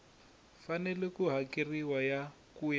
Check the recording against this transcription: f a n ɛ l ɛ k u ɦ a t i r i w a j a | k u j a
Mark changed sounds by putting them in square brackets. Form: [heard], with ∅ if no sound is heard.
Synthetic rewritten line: f a n ɛ l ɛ k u ɦ a [k] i r i w a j a | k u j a